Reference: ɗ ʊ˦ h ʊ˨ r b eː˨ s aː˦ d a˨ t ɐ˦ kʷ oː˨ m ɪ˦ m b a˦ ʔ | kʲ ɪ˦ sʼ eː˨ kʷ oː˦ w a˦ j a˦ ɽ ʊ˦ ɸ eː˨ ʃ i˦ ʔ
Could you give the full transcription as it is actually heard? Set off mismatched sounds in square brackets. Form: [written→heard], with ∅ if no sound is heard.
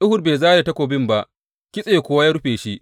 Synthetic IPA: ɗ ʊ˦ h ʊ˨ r b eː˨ [s→z] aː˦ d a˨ t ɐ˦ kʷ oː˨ [m→b] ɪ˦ m b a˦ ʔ | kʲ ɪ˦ sʼ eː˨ kʷ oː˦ w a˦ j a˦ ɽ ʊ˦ ɸ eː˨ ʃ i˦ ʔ